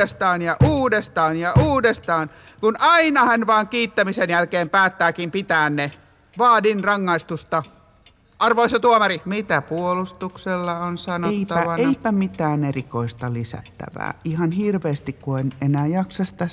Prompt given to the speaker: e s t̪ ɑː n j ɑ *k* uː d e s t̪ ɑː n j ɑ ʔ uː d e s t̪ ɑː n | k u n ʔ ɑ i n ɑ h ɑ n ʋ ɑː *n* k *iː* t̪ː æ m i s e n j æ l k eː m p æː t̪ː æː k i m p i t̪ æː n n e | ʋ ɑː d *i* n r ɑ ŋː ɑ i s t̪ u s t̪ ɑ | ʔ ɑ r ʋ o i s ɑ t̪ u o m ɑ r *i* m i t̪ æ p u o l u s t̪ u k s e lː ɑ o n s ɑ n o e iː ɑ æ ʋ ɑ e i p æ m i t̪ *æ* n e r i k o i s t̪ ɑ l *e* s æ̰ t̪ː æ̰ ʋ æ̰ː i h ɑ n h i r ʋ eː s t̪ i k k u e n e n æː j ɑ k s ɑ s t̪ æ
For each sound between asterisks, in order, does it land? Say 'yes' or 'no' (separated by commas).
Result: no, no, yes, yes, yes, no, no